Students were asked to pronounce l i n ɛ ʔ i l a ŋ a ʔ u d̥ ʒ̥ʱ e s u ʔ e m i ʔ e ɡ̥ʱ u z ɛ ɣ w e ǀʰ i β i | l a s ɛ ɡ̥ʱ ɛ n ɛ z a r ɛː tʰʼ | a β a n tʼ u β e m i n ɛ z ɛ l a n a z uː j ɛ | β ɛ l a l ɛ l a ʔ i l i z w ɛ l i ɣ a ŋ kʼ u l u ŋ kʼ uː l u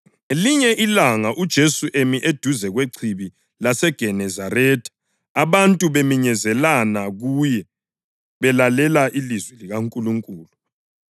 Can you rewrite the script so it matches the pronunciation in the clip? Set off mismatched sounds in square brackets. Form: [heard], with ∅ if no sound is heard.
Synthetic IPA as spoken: l i [ɲ] ɛ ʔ i l a ŋ a ʔ u d̥ ʒ̥ʱ e s u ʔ e m i ʔ e [d̥ʱ] u z ɛ ɣ w e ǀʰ i β i | l a s ɛ ɡ̥ʱ ɛ n ɛ z a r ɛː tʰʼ | a β a n tʼ u β e m i [ɲ] ɛ z ɛ l a n a [ɣ] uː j ɛ | β ɛ l a l ɛ l a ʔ i l i z w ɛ l i ɣ a ŋ kʼ u l u ŋ kʼ uː l u

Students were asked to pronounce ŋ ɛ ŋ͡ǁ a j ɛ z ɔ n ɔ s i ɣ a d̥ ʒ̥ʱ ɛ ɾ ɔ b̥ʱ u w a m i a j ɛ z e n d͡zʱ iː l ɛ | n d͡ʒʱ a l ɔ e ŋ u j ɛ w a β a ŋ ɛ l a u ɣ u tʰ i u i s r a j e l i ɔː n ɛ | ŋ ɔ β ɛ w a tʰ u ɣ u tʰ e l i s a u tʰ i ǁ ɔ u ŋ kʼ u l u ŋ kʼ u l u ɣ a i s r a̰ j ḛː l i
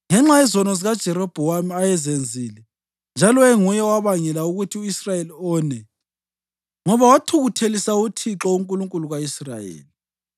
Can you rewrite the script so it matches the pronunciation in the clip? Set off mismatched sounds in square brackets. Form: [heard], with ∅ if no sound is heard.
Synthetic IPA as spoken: ŋ ɛ ŋ͡ǁ a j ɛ z ɔ n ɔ [z] i ɣ a d̥ ʒ̥ʱ ɛ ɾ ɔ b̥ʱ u w a m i a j ɛ z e n d͡zʱ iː l ɛ | n d͡ʒʱ a l ɔ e ŋ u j ɛ w a β a ŋ ɛ l a u ɣ u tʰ i u i s r a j e l i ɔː n ɛ | ŋ ɔ β [a] w a tʰ u ɣ u tʰ e l i s a u tʰ i ǁ ɔ u ŋ kʼ u l u ŋ kʼ u l u ɣ a i s r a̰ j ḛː l i

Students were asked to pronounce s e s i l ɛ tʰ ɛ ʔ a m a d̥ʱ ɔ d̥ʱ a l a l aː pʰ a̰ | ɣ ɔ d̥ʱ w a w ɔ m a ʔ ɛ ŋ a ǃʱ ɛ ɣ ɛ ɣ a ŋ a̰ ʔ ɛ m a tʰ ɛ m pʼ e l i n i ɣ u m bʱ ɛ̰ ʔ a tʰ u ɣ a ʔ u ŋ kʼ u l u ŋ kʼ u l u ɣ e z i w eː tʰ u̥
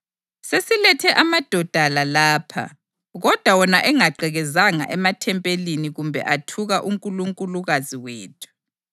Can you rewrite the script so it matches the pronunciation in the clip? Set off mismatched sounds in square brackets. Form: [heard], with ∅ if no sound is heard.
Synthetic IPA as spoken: s e s i l ɛ tʰ ɛ ʔ a m a d̥ʱ ɔ d̥ʱ a l a l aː pʰ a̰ | ɣ ɔ d̥ʱ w a w ɔ [n] a ʔ ɛ ŋ a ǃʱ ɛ ɣ ɛ [z] a ŋ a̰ ʔ ɛ m a tʰ ɛ m pʼ e l i n i ɣ u m bʱ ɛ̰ ʔ a tʰ u ɣ a ʔ u ŋ kʼ u l u ŋ kʼ u l u ɣ [a] z i w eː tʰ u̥

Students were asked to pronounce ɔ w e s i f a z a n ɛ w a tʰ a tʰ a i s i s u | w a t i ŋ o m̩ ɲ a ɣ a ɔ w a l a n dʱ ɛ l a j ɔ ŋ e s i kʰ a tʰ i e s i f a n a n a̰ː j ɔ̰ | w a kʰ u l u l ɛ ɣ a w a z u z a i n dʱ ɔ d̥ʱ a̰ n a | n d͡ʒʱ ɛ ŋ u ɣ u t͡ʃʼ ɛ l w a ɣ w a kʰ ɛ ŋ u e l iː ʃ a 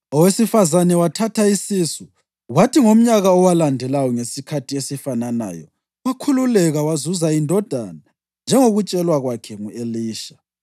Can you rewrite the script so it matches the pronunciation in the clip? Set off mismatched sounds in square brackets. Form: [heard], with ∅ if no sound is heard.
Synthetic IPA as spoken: ɔ w e s i f a z a n ɛ w a tʰ a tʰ a i s i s u | w a t i ŋ o m̩ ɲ a ɣ a ɔ w a l a n dʱ ɛ l a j ɔ ŋ e s i kʰ a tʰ i e s i f a n a n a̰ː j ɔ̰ | w a kʰ u l u l ɛ ɣ a w a z u z a i n dʱ ɔ d̥ʱ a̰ n a | n d͡ʒʱ ɛ ŋ [o] ɣ u t͡ʃʼ ɛ l w a ɣ w a kʰ ɛ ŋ u e l iː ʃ a

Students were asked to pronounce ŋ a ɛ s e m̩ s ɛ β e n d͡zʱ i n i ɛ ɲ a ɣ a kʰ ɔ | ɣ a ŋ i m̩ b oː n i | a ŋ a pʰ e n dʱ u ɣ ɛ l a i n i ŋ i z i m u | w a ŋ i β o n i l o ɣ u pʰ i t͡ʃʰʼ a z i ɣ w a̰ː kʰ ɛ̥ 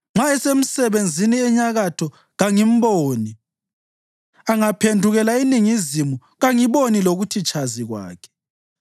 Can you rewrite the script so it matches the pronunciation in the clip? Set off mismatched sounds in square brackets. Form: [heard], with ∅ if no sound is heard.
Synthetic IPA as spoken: [ŋ͡ǁ] a ɛ s e m̩ s ɛ β e n d͡zʱ i n i ɛ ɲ a ɣ a [tʰ] ɔ | ɣ a ŋ i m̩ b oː n i | a ŋ a pʰ e n dʱ u ɣ ɛ l a i n i ŋ i z i m u | [ɣ] a ŋ i β o n i l o ɣ u [tʰ] i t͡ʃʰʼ a z i ɣ w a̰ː kʰ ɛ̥

